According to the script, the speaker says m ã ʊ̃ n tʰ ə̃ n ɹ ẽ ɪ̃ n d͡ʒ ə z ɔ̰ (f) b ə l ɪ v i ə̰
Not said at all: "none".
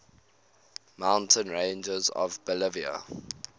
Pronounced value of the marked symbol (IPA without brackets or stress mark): v